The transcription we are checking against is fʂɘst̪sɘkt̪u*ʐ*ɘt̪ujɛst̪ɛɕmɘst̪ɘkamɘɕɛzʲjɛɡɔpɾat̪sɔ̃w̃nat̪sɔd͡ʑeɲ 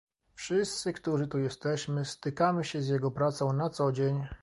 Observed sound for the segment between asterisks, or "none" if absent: ʐ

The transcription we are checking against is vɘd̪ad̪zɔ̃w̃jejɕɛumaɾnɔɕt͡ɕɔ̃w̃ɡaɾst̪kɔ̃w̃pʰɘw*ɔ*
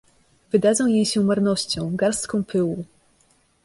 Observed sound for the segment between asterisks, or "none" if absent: u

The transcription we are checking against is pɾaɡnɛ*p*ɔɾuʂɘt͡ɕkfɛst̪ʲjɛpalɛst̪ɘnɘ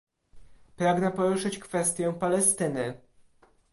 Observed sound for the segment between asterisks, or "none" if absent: p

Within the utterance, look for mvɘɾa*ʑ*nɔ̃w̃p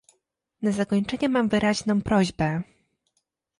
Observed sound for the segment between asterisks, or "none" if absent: ʑ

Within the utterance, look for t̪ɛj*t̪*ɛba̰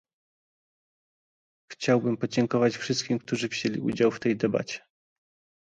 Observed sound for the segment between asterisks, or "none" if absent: d̪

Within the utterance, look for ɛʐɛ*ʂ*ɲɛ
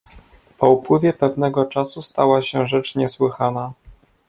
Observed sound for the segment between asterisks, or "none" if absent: t͡ʂ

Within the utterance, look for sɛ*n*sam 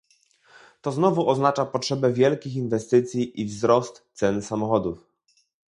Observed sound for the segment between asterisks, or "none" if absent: n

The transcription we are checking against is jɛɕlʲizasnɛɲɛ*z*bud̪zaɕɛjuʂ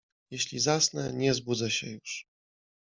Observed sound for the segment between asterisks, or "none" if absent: z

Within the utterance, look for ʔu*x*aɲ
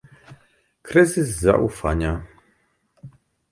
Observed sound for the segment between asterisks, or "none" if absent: f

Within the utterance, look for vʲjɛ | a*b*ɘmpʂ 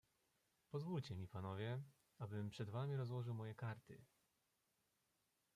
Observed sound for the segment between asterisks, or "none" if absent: b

